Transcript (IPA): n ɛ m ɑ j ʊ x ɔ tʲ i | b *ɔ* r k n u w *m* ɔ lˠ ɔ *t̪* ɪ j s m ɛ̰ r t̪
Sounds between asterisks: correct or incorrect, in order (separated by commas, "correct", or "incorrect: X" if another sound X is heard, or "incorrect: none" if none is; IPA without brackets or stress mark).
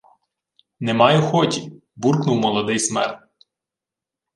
incorrect: u, correct, incorrect: d̪